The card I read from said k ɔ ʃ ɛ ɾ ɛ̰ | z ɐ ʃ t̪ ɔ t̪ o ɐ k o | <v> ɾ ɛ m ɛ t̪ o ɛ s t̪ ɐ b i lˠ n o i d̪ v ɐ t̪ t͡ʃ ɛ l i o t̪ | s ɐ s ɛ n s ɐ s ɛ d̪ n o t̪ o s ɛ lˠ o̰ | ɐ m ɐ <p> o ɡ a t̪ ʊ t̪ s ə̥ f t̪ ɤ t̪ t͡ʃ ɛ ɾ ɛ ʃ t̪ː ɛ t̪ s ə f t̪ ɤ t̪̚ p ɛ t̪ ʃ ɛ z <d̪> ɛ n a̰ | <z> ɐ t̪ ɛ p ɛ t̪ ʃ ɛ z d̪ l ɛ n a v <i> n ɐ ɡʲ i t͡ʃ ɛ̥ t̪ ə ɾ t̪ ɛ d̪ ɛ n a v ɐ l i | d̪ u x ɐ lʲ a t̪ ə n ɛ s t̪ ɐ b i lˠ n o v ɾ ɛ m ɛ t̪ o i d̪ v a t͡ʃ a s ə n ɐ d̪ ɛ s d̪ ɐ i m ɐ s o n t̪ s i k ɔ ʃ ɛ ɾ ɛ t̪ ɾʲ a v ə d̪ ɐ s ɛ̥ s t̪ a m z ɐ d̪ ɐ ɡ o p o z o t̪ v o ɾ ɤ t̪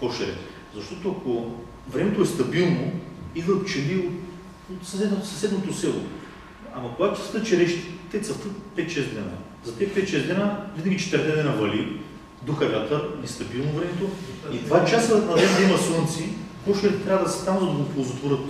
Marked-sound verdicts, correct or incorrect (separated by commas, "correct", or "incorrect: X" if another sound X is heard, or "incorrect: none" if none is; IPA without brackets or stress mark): correct, incorrect: k, correct, correct, correct